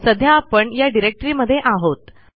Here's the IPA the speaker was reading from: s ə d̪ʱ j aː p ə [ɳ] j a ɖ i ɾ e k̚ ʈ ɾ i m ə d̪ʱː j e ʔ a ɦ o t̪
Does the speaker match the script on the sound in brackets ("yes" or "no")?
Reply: yes